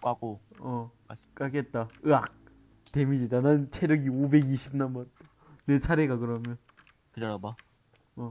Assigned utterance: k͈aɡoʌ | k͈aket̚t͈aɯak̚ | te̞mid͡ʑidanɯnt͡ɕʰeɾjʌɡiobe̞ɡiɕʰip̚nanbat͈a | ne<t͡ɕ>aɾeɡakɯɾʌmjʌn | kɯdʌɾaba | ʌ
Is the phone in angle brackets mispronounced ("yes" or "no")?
yes